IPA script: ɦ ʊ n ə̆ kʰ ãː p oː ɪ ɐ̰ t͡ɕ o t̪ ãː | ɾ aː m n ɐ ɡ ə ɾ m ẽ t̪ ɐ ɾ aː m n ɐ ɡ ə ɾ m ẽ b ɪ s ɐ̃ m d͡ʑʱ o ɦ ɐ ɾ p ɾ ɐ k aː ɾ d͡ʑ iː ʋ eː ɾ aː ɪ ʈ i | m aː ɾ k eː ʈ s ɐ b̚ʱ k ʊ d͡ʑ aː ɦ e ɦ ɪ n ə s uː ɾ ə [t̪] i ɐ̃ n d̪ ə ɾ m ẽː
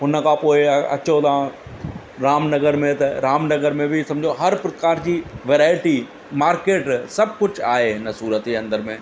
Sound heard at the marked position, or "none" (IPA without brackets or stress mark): t̪